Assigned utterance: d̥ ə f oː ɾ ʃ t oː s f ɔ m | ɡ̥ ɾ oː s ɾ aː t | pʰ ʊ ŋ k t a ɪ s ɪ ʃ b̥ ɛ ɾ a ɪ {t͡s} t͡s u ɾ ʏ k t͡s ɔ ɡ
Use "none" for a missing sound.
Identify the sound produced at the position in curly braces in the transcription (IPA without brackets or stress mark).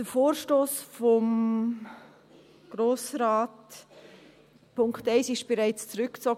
t͡s